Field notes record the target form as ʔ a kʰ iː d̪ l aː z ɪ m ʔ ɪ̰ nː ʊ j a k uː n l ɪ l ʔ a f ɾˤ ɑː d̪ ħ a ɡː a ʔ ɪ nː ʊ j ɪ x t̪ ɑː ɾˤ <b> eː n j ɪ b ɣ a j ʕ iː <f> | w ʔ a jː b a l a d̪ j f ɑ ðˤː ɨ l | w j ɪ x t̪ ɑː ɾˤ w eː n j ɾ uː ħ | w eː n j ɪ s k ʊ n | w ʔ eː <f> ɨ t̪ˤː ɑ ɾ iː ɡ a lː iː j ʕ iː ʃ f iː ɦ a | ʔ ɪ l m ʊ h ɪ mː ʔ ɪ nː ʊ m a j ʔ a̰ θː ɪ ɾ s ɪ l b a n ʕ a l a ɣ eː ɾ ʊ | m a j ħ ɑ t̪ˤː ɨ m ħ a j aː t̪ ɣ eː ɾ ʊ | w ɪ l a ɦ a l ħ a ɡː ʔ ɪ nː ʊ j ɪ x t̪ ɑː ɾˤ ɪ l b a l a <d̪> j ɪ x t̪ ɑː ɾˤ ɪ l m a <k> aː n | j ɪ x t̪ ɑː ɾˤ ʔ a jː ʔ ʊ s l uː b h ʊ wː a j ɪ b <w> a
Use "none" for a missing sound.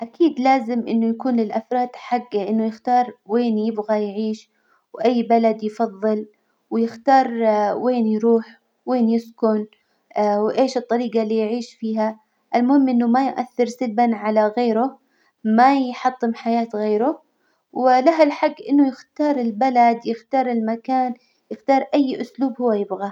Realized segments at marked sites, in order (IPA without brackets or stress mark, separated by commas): w, ʃ, ʃ, d̪, k, ɣ